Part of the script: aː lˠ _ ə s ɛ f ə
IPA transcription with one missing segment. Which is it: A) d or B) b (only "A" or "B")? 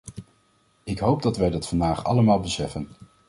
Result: B